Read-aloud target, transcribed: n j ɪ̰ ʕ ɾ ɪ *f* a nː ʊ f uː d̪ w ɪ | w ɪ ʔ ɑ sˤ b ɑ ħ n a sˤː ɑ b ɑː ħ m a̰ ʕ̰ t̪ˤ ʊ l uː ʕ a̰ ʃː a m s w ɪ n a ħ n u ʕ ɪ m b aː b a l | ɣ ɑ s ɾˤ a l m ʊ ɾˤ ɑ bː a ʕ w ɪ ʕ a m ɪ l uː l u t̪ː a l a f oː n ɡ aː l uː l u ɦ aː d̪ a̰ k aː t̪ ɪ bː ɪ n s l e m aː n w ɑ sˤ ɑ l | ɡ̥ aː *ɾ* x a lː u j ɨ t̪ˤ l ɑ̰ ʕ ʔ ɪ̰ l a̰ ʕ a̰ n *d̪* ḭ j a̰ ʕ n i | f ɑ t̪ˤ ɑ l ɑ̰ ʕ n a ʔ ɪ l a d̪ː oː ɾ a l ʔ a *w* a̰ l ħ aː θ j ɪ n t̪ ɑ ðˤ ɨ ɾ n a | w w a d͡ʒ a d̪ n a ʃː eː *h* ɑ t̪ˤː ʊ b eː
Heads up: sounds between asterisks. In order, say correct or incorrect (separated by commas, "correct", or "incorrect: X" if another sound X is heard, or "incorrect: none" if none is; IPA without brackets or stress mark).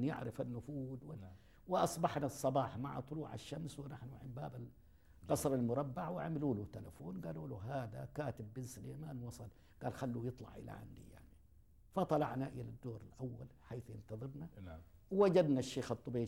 correct, incorrect: l, correct, incorrect: wː, incorrect: x